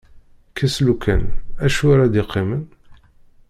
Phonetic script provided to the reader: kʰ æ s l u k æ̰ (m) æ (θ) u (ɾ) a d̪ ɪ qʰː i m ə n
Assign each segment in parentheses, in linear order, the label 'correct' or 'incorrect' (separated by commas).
incorrect, incorrect, correct